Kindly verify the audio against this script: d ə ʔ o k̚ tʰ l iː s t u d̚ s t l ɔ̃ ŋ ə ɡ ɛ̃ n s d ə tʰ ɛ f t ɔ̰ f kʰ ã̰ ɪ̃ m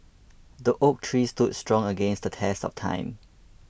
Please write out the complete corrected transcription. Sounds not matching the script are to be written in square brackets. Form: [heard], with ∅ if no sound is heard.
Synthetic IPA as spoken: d ə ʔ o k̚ tʰ [ɹ] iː s t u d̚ s t [ɹ] ɔ̃ ŋ ə ɡ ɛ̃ n s d ə tʰ ɛ [s] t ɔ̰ f [tʰ] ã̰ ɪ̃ m